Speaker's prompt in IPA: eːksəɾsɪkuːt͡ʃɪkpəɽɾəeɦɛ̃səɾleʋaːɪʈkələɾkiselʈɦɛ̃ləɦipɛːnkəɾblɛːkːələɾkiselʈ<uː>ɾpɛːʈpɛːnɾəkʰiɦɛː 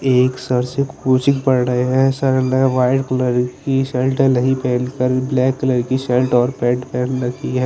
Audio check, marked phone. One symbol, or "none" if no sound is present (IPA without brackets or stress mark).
ɔː